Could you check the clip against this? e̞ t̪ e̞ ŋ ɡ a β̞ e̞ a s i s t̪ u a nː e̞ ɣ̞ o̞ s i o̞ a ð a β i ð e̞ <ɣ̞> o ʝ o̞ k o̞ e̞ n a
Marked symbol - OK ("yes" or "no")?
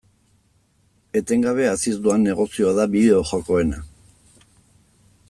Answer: no